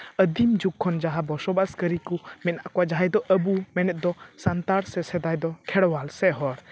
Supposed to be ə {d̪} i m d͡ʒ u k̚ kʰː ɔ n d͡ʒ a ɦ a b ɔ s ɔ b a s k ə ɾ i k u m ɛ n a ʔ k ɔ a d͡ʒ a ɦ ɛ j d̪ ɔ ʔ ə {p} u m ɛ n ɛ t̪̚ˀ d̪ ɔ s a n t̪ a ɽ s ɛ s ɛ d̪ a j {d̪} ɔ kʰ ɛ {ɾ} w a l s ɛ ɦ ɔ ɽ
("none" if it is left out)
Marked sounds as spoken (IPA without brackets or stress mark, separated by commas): d̪, b, d̪, ɽ